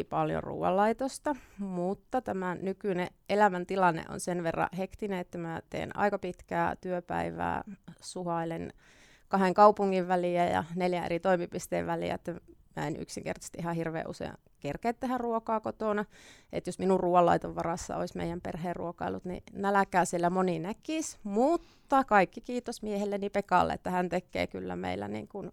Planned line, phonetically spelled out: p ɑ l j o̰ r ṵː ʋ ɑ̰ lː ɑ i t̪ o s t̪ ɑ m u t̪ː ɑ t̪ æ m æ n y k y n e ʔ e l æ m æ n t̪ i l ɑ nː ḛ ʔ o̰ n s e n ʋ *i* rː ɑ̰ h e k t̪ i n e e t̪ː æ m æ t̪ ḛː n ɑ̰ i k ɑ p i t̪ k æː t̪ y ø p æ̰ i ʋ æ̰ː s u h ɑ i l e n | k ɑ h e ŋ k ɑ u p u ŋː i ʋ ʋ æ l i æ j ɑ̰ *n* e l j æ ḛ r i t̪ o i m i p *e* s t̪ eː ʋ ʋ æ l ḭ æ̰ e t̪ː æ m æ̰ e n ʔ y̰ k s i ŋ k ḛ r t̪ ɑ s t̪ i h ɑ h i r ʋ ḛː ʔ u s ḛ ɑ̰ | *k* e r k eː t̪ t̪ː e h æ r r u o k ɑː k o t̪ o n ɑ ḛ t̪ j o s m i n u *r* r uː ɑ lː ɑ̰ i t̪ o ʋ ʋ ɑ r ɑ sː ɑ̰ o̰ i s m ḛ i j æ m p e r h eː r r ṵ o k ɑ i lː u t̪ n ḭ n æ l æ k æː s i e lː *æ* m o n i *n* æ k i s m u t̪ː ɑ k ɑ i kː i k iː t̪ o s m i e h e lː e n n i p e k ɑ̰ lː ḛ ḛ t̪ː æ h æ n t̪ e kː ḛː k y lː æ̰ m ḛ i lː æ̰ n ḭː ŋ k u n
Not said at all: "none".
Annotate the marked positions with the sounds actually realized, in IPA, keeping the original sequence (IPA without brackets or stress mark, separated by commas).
e, n, i, k, r, æ, n